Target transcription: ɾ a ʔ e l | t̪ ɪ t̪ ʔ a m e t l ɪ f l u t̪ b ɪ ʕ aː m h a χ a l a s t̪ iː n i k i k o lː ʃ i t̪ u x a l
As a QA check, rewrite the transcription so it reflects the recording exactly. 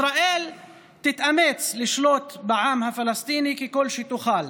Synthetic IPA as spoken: ɾ a ʔ e l | t̪ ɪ t̪ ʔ a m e t͡s l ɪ ʃ l o t̪ b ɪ ʕ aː m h a f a l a s t̪ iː n i k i k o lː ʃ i t̪ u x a l